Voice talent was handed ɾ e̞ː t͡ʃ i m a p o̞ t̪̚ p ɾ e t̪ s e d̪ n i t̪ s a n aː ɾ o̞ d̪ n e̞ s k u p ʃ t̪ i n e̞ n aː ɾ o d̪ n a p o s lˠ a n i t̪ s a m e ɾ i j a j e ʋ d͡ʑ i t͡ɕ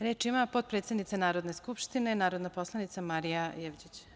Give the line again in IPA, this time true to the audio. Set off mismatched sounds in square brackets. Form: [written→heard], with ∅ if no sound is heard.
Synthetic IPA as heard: ɾ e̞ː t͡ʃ i m a p o̞ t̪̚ p ɾ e t̪ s e d̪ n i t̪ s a n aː ɾ o̞ d̪ n e̞ s k u p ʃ t̪ i n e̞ n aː ɾ o d̪ n a p o s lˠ a n i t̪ s a m [e→a] ɾ i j a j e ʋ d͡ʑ i t͡ɕ